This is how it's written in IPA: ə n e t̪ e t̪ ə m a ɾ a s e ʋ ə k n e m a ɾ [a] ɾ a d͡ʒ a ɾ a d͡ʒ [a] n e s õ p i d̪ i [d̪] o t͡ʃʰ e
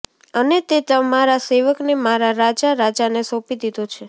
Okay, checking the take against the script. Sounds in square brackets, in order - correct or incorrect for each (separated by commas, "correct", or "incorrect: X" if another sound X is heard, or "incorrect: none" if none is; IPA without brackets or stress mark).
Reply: correct, correct, correct